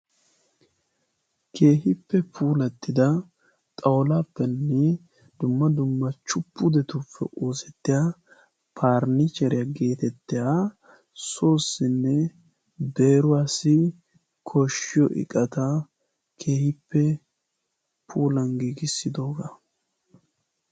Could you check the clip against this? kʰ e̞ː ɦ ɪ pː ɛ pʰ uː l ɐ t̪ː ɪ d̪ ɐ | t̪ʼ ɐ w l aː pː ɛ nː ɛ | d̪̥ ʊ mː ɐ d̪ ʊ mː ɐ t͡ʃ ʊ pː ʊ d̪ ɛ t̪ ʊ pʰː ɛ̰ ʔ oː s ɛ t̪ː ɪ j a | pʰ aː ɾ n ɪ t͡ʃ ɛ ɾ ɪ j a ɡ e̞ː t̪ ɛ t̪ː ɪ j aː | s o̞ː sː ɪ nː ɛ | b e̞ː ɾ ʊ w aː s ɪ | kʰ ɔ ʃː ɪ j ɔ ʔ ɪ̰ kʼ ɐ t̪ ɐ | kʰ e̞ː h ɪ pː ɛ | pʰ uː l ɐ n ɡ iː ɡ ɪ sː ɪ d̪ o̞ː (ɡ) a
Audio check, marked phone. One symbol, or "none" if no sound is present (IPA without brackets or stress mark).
ɡ